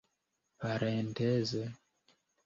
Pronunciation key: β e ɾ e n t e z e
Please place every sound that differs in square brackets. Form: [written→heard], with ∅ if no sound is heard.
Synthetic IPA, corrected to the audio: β [e→a] ɾ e n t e z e